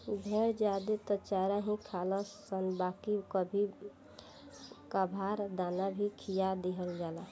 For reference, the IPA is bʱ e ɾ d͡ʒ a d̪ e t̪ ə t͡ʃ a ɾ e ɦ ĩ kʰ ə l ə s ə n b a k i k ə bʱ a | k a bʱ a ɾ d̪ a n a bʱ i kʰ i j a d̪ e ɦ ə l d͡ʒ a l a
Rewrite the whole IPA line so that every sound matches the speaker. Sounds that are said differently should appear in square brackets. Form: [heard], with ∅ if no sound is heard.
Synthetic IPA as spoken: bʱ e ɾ d͡ʒ a d̪ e t̪ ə t͡ʃ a ɾ [a] ɦ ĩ kʰ [a] l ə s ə n b a k i k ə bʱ [i] | k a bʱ a ɾ d̪ a n a bʱ i kʰ i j a d̪ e ɦ ə l d͡ʒ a l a